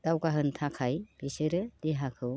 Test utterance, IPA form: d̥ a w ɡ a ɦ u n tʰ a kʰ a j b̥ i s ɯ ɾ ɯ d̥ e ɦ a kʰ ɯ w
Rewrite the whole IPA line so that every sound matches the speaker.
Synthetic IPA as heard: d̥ a w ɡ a ɦ ɯ n tʰ a kʰ a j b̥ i s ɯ ɾ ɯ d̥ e ɦ a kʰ ɯ w